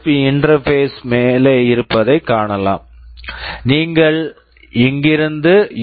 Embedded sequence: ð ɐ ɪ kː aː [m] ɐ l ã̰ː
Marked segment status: incorrect: ɳ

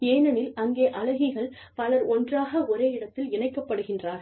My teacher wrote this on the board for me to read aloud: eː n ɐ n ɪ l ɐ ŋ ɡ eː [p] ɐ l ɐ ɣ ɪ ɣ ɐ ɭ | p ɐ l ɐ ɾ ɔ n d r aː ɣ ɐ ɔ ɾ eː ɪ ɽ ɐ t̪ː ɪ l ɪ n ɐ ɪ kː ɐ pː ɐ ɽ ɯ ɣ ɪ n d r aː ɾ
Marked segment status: incorrect: ʔ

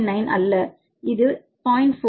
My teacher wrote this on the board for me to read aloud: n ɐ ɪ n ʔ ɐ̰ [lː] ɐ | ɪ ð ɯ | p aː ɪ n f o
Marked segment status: correct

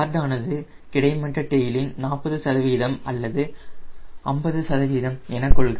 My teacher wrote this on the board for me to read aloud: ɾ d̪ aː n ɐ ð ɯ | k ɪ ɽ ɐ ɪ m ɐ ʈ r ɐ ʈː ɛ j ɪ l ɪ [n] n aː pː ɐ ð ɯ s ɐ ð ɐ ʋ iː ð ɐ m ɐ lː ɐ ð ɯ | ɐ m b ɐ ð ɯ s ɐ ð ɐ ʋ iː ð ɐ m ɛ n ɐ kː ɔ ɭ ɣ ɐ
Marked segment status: correct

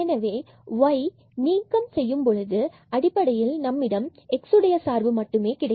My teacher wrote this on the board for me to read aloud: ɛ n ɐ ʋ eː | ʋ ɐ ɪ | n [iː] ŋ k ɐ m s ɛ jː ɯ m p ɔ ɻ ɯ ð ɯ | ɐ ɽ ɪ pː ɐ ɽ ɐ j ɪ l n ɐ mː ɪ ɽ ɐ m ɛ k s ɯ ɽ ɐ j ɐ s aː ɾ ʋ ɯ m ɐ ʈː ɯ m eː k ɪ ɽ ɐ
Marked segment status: correct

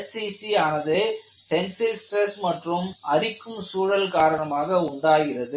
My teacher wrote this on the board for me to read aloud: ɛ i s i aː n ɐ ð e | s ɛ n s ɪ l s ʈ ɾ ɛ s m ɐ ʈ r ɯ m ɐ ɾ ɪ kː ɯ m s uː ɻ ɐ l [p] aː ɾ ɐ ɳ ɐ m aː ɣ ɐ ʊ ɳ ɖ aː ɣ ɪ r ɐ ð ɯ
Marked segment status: incorrect: k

